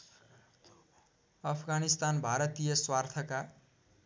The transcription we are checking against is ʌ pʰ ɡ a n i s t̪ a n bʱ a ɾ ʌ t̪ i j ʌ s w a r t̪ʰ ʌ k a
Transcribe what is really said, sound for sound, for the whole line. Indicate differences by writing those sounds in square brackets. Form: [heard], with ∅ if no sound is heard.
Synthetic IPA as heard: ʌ pʰ ɡ a n i s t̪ a n bʱ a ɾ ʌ t̪ i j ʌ s w a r t̪ʰ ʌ k a

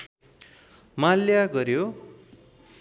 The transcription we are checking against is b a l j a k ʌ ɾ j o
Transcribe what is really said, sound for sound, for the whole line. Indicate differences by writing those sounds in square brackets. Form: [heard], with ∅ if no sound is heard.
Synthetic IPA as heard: [m] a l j a [ɡ] ʌ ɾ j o

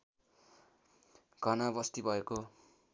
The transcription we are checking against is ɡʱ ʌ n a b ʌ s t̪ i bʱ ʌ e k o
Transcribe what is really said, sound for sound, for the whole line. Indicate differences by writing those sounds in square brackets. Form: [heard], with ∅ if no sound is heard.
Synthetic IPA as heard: ɡʱ ʌ n a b ʌ s t̪ i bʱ ʌ e k o

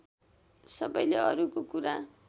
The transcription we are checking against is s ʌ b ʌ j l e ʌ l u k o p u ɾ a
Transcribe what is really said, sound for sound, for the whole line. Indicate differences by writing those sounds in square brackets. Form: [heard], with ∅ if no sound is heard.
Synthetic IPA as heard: s ʌ b ʌ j l e ʌ [ɾ] u k o [k] u ɾ a

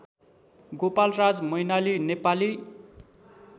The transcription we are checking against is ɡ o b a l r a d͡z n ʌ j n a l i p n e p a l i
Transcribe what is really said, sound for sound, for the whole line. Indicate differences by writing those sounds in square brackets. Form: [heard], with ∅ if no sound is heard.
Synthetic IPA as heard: ɡ o [p] a l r a d͡z [m] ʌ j n a l i [∅] n e p a l i

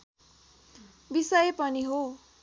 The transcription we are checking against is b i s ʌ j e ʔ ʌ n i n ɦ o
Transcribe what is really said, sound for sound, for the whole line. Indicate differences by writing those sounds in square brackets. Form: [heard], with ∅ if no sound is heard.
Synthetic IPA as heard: b i s ʌ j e [p] ʌ n i [∅] ɦ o

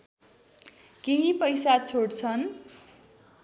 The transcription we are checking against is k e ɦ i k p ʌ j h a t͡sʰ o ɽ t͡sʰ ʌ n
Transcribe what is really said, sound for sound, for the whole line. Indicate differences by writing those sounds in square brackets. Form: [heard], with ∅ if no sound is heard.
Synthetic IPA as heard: k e ɦ i [∅] p ʌ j [s] a t͡sʰ o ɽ t͡sʰ ʌ n

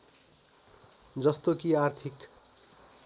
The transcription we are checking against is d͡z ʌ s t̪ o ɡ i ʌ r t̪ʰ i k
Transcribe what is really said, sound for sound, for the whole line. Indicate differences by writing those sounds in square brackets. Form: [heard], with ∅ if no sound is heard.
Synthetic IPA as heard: d͡z ʌ s t̪ o [k] i [a] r t̪ʰ i k

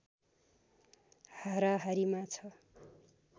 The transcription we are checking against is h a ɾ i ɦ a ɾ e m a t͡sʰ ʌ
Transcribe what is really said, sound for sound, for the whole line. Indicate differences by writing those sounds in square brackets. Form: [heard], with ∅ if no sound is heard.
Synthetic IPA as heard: h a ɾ [a] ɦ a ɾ [i] m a t͡sʰ ʌ

